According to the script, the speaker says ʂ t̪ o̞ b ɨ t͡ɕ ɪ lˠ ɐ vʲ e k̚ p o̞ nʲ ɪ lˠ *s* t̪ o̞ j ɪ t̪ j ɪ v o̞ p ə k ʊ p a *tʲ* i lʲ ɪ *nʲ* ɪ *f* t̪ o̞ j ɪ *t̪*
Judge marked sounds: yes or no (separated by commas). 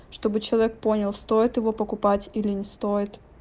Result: yes, yes, yes, no, yes